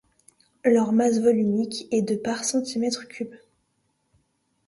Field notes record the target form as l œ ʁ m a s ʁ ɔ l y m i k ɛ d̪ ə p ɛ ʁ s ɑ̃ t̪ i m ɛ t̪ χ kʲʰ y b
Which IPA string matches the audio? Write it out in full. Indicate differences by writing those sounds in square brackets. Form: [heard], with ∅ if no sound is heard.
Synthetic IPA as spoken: l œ ʁ m a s [v] ɔ l y [n] i k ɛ d̪ ə p [a] ʁ s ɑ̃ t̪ i m ɛ t̪ χ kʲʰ y b